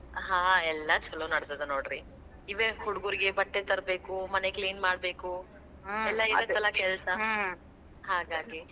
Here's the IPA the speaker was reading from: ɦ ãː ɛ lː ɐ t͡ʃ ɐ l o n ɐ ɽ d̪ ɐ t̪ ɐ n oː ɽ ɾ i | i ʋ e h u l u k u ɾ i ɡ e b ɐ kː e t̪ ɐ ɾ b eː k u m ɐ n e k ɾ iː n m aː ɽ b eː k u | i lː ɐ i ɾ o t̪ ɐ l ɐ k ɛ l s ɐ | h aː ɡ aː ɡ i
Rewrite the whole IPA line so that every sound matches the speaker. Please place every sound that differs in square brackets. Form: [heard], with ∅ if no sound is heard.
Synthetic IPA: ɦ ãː ɛ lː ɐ t͡ʃ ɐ l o n ɐ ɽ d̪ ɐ [d̪] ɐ n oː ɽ ɾ i | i ʋ e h u [ɽ] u [ɡ] u ɾ i ɡ e b ɐ [ʈː] e t̪ ɐ ɾ b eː k u m ɐ n e k [l] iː n m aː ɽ b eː k u | [ɛ] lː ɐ i ɾ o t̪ ɐ l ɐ k ɛ l s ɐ | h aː ɡ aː ɡ i